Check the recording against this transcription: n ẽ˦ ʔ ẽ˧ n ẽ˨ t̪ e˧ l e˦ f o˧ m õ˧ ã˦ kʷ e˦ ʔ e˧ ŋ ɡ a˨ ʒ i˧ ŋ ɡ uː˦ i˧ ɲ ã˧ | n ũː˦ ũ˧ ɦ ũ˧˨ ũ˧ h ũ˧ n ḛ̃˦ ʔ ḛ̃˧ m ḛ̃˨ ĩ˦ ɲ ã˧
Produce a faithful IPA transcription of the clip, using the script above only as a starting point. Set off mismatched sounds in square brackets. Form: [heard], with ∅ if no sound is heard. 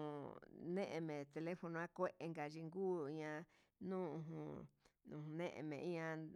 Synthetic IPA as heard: n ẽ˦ ʔ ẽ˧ [m] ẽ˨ t̪ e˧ l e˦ f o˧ [n] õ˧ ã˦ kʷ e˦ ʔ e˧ ŋ ɡ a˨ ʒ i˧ ŋ ɡ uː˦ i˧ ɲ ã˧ | n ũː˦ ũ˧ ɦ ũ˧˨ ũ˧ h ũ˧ n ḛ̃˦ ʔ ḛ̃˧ m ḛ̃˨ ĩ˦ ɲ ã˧